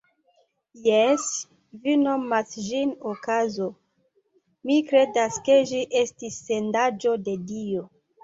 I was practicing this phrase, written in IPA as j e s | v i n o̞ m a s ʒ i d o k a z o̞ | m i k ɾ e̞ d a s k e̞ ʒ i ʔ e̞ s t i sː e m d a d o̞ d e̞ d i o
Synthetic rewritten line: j e s | v i n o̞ m a s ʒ i n o k a z o̞ | m i k ɾ e̞ d a s k e̞ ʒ i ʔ e̞ s t i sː e n d a d͡ʒ o̞ d e̞ d i o